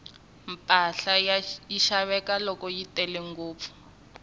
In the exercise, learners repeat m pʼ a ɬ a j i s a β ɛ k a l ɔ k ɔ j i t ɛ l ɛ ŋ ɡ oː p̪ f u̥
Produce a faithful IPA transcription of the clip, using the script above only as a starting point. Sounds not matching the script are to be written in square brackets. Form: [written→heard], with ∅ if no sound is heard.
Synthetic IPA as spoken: m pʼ a ɬ a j i [s→ʃ] a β ɛ k a l ɔ k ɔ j i t ɛ l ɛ ŋ ɡ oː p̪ f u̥